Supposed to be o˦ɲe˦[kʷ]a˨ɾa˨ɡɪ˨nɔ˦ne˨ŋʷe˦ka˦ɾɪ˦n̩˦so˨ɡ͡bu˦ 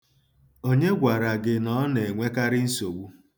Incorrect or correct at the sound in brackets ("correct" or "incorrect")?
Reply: incorrect